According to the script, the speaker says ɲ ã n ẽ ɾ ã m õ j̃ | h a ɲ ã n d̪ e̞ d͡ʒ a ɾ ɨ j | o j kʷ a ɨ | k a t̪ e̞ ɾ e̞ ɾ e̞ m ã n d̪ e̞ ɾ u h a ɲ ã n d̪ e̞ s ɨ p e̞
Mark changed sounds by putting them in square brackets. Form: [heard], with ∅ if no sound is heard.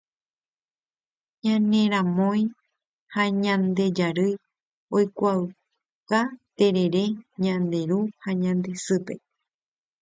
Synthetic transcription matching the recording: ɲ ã n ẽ ɾ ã m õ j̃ | h a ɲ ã n d̪ e̞ d͡ʒ a ɾ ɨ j | o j kʷ a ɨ | k a t̪ e̞ ɾ e̞ ɾ e̞ [ɲ] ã n d̪ e̞ ɾ u h a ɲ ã n d̪ e̞ s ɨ p e̞